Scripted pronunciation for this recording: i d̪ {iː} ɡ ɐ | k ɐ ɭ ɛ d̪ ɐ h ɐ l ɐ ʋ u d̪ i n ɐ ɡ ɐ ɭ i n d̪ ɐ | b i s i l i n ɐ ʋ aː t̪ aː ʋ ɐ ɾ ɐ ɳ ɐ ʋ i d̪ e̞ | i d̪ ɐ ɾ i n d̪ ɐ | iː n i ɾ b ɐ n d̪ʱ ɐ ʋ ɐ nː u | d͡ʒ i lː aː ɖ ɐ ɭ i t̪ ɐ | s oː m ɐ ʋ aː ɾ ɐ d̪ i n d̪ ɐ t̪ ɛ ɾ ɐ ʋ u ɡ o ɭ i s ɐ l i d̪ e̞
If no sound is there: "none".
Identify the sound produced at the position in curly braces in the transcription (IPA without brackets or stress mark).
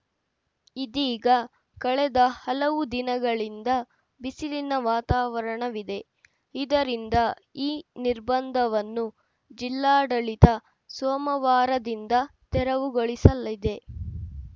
iː